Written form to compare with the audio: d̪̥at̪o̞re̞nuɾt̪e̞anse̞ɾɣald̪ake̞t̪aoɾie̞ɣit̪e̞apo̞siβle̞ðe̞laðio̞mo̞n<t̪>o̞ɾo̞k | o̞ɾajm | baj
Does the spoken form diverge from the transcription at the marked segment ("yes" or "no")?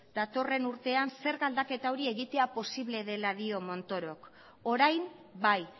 no